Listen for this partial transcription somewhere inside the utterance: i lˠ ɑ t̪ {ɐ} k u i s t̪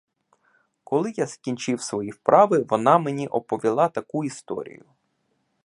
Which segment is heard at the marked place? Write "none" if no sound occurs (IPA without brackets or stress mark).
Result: ɐ